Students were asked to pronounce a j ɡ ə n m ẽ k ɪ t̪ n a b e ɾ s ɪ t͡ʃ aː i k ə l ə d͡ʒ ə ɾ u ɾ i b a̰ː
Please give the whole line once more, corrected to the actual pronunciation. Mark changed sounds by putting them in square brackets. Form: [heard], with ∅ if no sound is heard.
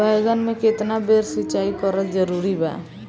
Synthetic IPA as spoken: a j ɡ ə n m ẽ k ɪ t̪ n a b e ɾ s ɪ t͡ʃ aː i k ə [ɾ] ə d͡ʒ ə ɾ u ɾ i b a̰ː